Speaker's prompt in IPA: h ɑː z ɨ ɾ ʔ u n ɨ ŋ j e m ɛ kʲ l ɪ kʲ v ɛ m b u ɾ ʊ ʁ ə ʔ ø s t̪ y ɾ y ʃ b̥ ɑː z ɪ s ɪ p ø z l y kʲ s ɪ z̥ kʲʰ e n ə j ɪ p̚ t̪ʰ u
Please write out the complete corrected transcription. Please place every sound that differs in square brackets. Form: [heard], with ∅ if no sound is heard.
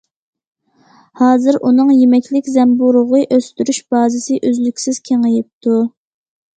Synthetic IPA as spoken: h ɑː z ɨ ɾ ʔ u n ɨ ŋ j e m ɛ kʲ l ɪ kʲ [z] ɛ m b u ɾ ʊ ʁ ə ʔ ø s t̪ y ɾ y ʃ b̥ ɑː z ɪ s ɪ [ʔ] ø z l y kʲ s ɪ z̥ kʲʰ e [ŋ] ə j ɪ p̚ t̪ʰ u